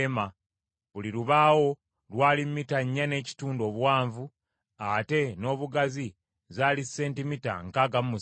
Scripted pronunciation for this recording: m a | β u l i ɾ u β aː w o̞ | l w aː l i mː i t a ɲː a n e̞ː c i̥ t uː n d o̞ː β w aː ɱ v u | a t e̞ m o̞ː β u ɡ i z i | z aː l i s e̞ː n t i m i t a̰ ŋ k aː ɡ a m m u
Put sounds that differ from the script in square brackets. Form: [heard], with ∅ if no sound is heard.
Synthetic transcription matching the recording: m a | β u l i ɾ u β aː w o̞ | l w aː l i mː i t a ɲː a n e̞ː c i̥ t uː n d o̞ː β w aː ɱ v u | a t e̞ [n] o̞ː β u ɡ [a] z i | z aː l i s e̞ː n t i m i t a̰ ŋ k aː ɡ a m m u